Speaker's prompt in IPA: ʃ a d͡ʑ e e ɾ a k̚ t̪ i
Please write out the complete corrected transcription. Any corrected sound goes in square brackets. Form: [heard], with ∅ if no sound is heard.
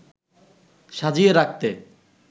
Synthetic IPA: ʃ a d͡ʑ [i] e ɾ a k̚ t̪ [e]

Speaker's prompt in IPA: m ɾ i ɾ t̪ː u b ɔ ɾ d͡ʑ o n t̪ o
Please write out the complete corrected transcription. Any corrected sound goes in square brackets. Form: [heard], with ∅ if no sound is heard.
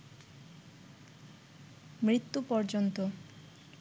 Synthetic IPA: m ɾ i [∅] t̪ː u [p] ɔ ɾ d͡ʑ o n t̪ o

